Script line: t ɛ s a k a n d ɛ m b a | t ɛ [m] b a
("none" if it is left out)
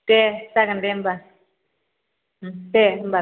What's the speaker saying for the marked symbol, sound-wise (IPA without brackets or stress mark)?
m